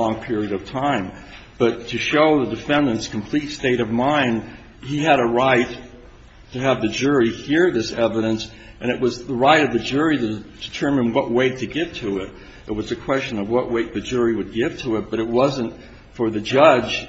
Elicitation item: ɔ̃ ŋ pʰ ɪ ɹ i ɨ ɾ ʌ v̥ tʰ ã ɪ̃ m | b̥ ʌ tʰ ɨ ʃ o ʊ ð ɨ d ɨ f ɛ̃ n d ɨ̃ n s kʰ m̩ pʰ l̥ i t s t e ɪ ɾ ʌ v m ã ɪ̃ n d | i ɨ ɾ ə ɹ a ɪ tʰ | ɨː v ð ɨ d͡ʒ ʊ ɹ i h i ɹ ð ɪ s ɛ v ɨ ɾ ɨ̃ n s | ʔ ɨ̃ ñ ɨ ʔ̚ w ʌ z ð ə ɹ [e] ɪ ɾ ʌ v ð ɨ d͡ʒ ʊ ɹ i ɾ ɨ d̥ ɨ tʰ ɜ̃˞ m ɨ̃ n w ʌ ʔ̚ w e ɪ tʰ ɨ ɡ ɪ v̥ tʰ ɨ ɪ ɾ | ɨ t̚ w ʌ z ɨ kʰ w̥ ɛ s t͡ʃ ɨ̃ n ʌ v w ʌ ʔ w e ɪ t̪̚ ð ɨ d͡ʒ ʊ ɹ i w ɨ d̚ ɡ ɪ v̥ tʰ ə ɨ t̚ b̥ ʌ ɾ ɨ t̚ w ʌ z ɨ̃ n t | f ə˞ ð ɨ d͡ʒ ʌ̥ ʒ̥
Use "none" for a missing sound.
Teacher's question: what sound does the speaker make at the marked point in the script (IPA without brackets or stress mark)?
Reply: a